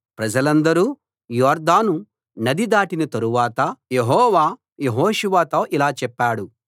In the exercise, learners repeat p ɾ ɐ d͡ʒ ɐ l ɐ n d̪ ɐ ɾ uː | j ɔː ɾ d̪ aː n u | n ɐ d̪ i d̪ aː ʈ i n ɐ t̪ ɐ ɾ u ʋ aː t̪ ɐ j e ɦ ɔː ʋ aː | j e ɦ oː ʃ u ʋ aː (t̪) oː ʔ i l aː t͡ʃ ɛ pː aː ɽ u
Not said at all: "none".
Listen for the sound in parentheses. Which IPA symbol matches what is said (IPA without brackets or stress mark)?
t̪